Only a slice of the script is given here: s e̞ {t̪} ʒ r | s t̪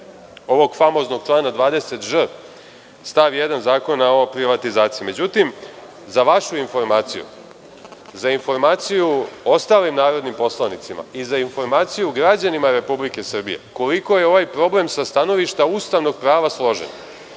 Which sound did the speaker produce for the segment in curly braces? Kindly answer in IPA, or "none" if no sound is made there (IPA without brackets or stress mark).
t̪